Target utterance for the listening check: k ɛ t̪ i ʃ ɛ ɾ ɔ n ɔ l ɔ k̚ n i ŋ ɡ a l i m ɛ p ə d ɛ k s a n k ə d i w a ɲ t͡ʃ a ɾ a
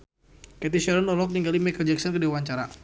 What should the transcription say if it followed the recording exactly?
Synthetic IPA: k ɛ t̪ i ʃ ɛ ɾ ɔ n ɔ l ɔ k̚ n i ŋ ɡ a l i m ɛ k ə d͡ʒ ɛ k s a n k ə d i w a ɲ t͡ʃ a ɾ a